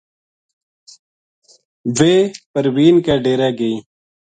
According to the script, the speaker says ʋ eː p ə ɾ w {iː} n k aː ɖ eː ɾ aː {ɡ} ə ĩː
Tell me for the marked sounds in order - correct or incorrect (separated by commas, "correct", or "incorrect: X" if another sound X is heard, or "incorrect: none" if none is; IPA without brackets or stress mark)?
correct, correct